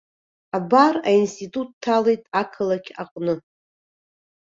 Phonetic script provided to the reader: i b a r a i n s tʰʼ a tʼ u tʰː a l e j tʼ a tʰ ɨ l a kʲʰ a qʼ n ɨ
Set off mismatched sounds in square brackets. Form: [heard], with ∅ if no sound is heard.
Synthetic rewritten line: [a] b a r a i n s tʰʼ [i] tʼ u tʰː a l e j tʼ a [kʰ] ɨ l a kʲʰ a qʼ n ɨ